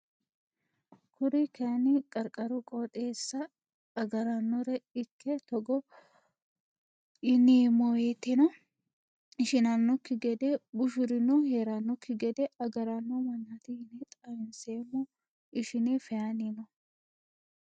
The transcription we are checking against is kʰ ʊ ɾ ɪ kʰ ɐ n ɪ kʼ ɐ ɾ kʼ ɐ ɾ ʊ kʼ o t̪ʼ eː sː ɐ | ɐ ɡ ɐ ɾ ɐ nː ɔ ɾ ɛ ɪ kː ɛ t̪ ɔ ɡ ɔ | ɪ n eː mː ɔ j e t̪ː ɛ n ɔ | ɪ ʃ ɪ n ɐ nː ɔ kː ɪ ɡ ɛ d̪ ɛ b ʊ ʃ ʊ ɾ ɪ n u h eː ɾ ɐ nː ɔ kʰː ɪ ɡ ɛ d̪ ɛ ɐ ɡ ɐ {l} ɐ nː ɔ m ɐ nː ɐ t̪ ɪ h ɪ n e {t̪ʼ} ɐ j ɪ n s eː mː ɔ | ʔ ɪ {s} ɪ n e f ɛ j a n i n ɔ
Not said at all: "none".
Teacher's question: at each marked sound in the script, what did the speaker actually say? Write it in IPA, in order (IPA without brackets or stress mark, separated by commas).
ɾ, t̪ʼ, ʃ